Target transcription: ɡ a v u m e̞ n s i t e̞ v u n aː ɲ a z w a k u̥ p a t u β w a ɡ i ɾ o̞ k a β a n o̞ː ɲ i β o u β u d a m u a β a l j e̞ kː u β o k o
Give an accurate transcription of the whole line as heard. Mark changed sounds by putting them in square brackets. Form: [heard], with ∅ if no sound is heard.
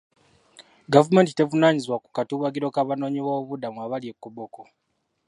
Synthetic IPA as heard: ɡ a v u m e̞ n [t] i t e̞ v u n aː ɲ [i] z w a k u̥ [k] a t u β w a ɡ i ɾ o̞ k a β a n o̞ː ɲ i β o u β u d a m u a β a l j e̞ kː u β o k o